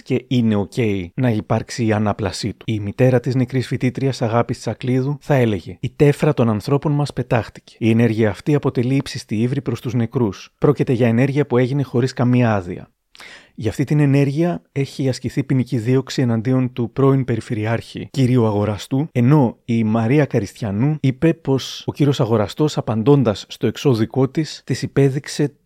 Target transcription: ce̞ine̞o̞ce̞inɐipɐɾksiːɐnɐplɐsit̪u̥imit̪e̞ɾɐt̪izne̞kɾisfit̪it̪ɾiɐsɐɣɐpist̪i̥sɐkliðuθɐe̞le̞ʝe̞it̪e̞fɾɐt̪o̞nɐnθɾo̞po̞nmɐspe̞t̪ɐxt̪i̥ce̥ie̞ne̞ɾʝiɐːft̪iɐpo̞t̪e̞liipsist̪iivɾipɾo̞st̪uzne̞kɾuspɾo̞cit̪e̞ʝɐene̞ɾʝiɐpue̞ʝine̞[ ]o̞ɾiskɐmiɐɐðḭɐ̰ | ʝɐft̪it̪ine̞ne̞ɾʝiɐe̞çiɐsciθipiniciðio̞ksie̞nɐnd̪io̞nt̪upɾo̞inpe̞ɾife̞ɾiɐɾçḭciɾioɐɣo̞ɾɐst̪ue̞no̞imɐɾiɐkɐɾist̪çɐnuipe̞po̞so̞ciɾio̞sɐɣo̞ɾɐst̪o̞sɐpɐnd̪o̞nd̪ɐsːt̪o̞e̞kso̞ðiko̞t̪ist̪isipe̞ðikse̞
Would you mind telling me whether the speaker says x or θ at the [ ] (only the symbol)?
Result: x